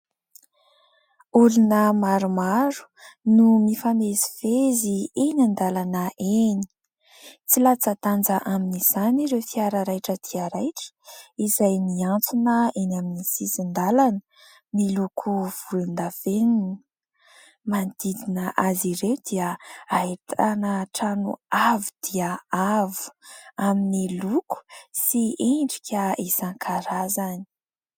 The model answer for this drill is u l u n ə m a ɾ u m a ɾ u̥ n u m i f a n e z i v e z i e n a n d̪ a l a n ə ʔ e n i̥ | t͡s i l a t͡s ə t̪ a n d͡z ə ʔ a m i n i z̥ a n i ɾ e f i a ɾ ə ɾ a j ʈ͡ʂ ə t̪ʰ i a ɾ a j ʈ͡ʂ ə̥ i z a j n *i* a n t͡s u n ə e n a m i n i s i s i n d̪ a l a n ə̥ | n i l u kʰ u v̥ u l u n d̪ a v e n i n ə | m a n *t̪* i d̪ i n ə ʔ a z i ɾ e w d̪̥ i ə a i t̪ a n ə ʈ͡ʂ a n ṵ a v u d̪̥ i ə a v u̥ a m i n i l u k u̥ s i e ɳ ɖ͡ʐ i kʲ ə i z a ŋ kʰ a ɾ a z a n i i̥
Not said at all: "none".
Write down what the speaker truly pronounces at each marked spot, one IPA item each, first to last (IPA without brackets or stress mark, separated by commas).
i, d̪